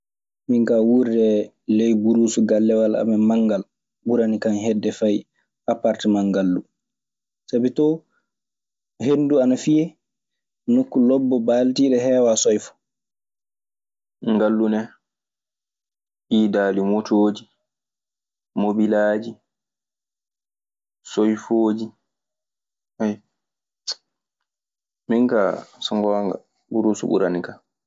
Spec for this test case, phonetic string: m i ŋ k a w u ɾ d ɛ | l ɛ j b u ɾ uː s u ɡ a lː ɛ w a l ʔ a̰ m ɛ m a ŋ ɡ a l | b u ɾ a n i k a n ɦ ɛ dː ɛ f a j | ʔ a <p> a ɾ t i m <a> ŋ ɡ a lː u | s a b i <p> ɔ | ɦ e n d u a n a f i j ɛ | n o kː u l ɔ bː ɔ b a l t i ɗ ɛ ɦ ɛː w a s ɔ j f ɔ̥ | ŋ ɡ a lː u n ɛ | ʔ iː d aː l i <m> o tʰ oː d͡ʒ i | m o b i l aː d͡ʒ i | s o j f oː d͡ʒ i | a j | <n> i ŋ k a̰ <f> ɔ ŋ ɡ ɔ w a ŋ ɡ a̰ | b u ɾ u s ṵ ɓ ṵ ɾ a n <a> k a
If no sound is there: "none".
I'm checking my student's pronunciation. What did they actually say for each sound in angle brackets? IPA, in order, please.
p, a, t, m, m, s, i

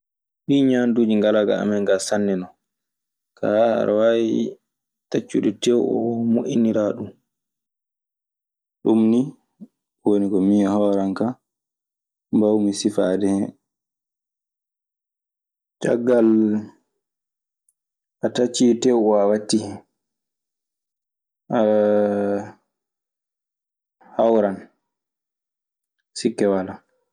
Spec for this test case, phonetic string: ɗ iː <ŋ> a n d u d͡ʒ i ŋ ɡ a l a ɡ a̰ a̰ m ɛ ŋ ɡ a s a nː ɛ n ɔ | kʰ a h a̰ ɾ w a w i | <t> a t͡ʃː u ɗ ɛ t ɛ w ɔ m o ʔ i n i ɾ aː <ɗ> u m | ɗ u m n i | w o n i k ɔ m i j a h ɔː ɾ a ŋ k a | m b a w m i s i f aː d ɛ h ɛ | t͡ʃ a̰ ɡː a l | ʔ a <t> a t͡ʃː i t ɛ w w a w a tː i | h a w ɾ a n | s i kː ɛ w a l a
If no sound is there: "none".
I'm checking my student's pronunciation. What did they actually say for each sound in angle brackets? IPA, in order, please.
ɲ, t, ɗ, t

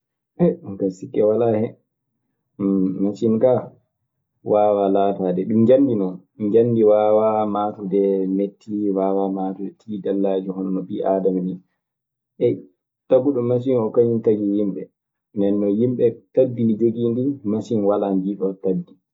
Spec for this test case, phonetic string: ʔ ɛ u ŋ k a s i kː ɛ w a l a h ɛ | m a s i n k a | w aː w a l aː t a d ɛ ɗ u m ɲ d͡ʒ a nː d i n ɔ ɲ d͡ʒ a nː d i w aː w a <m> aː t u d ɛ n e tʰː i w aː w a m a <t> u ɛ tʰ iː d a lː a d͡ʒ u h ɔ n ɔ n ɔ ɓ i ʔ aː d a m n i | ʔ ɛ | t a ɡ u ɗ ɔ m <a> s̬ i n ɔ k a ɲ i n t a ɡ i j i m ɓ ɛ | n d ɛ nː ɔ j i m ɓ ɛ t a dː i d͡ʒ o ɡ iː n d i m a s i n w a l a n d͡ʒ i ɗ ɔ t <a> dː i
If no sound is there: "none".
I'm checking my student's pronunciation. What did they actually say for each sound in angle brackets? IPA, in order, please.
m, t, a, a

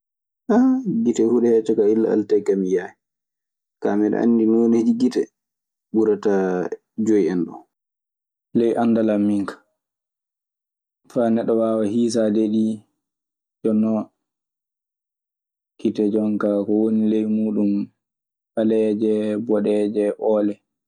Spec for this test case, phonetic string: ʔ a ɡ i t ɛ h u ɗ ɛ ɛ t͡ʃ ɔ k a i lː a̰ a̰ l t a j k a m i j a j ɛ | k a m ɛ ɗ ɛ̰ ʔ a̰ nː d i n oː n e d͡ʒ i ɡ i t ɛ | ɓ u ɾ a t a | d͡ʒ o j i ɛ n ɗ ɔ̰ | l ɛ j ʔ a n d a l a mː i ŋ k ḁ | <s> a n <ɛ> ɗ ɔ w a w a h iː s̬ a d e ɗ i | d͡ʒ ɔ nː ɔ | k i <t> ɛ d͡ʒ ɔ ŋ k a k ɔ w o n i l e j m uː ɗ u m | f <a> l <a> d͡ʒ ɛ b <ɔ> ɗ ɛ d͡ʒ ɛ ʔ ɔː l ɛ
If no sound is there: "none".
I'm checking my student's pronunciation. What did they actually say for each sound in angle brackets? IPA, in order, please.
f, ɛ, t, a, ɛ, ɔ

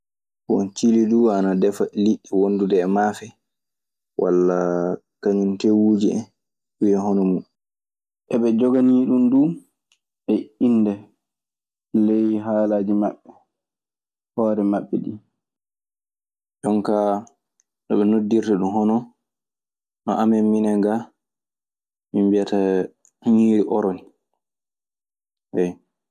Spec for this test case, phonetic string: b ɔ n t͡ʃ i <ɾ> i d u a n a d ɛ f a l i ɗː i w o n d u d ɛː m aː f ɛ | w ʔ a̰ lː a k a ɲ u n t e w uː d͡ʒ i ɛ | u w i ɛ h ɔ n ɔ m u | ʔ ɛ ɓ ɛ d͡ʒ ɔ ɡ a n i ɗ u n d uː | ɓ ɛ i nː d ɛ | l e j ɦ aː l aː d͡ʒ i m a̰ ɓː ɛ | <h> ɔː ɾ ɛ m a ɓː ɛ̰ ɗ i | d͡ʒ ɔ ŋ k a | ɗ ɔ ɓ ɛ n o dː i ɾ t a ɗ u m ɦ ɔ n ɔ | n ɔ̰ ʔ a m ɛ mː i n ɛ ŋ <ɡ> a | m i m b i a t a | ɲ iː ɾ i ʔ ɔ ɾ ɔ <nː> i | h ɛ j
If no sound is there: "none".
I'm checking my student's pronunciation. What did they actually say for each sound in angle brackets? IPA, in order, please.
l, h, ɡ, n

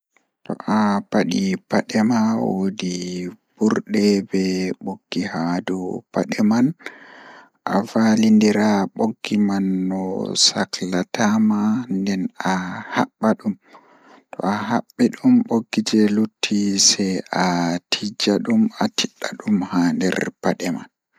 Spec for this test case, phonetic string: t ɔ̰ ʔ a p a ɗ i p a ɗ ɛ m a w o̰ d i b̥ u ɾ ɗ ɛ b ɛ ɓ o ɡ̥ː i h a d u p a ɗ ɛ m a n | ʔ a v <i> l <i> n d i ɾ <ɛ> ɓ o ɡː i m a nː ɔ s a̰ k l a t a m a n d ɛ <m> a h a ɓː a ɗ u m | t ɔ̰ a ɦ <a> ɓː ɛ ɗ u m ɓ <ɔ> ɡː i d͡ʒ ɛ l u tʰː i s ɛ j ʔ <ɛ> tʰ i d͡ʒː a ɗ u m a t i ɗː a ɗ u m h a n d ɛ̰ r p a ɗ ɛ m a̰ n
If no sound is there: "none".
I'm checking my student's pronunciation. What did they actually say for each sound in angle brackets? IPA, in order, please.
a, i, a, n, a, o, a

